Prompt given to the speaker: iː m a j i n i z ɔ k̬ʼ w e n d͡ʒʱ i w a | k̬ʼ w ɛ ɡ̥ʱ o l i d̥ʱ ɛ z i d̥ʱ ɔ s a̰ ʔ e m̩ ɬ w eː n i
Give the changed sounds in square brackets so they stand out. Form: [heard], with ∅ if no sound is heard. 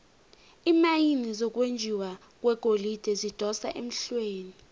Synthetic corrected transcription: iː m a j i n i z ɔ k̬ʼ w e n d͡ʒʱ i w a | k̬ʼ w ɛ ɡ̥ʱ o l i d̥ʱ ɛ z i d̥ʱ ɔ s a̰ ʔ e m̩ ɬ w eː n i